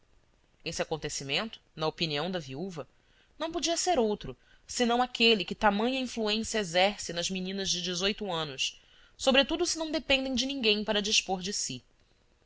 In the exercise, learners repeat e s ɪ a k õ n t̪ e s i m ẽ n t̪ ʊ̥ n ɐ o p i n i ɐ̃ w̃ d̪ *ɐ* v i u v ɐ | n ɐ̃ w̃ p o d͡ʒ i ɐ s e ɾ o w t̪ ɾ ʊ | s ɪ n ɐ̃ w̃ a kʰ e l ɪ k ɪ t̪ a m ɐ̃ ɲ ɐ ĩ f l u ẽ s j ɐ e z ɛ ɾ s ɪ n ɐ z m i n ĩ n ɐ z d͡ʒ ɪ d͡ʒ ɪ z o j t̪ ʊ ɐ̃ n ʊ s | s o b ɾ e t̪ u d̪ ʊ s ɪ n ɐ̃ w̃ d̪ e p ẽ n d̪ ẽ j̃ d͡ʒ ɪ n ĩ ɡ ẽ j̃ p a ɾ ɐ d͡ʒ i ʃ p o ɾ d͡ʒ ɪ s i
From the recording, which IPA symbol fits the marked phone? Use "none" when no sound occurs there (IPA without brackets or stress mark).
ɐ